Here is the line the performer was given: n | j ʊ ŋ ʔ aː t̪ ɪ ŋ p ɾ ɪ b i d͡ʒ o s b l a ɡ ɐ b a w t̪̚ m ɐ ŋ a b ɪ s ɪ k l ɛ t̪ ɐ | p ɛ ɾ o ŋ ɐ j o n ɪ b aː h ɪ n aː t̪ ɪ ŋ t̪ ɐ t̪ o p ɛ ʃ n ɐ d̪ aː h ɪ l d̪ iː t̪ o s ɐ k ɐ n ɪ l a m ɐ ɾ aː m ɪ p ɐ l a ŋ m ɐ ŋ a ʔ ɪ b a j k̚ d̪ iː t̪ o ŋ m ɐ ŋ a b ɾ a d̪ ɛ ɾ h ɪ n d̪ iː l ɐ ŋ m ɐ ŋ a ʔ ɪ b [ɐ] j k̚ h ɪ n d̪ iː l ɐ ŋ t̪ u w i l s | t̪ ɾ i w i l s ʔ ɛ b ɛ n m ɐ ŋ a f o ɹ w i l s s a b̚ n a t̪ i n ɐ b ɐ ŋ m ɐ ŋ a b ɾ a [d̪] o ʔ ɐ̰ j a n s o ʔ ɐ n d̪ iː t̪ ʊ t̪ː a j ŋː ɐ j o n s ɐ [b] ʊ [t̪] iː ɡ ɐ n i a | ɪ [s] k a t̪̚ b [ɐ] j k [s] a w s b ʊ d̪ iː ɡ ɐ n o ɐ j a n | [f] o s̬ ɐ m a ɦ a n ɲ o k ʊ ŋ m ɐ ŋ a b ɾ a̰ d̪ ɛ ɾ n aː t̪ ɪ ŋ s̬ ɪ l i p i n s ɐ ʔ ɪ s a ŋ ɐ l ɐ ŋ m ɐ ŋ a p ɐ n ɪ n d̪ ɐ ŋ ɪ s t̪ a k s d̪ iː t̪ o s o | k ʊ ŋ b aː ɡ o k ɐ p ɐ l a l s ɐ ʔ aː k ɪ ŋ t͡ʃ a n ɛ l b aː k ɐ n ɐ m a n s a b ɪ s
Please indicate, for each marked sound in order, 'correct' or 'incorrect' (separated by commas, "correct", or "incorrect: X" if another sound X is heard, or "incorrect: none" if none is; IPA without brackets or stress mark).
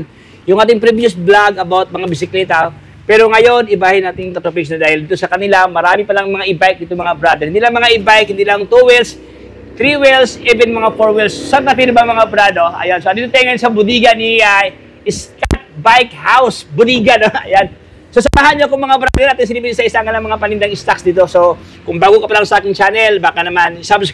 incorrect: a, correct, correct, incorrect: d̪, correct, incorrect: a, incorrect: h, incorrect: s